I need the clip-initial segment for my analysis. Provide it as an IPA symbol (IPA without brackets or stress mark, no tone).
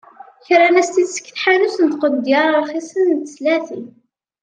ç